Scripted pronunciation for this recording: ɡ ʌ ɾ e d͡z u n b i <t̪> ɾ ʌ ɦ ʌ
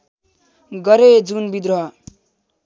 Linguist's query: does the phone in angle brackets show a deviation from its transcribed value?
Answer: yes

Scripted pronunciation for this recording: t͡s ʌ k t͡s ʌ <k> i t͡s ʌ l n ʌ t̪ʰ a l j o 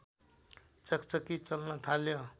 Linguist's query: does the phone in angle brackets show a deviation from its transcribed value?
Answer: no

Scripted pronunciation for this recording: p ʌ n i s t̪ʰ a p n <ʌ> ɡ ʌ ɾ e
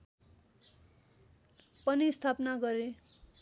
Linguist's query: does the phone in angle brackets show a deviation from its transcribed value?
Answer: yes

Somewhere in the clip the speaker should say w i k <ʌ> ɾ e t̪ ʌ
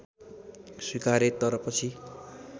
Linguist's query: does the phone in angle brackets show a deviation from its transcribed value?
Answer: yes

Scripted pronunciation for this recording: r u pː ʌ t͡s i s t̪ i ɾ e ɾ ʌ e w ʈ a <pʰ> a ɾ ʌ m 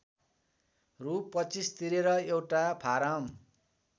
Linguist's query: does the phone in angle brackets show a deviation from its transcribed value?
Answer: no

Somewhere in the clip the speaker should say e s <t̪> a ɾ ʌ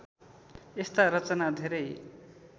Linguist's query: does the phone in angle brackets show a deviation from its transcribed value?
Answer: no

